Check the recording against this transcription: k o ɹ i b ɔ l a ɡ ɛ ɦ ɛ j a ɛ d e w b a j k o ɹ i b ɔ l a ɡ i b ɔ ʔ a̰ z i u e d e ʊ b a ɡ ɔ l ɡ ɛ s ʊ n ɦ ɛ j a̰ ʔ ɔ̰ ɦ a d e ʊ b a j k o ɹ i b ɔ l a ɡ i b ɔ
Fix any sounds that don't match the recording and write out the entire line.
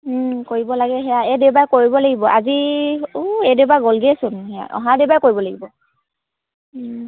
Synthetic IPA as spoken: k o ɹ i b ɔ l a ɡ ɛ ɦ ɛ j a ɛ d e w b a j k o ɹ i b ɔ l a ɡ i b ɔ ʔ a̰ z i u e d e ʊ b a ɡ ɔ l ɡ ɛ s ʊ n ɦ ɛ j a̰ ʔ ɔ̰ ɦ a d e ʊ b a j k o ɹ i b ɔ l a ɡ i b ɔ